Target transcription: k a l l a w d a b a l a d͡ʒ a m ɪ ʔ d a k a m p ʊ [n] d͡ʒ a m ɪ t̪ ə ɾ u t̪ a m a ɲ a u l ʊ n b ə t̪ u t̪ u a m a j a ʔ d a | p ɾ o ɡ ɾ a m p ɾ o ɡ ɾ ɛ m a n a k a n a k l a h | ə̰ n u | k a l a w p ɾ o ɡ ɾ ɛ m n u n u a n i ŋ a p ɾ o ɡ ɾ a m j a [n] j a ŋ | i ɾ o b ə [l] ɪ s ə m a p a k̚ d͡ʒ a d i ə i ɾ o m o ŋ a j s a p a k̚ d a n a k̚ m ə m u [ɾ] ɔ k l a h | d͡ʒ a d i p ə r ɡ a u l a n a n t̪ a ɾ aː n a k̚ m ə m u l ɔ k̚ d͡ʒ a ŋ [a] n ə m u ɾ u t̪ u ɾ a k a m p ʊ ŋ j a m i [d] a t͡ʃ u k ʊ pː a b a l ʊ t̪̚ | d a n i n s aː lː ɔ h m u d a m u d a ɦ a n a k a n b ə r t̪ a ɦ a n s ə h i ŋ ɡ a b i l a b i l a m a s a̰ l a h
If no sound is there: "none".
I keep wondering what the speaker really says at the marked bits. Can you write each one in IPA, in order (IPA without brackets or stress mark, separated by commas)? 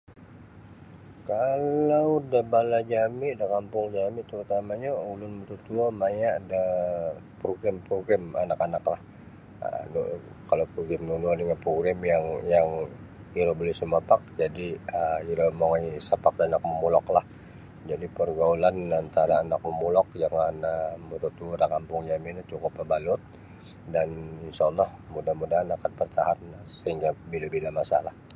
ŋ, ŋ, l, l, a, n